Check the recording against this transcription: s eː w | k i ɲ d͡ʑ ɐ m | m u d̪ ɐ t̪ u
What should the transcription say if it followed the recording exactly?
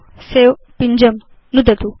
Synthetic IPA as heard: s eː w | p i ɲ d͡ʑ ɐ m | n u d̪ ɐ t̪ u